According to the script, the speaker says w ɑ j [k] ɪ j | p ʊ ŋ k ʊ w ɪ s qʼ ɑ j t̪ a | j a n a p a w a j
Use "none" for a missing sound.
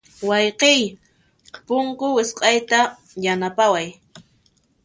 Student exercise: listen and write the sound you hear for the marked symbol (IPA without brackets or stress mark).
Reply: q